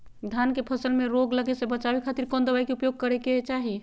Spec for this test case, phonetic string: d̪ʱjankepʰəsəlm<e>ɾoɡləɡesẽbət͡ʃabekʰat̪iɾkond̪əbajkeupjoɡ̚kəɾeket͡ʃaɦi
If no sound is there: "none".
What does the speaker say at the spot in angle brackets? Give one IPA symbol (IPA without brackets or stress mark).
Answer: e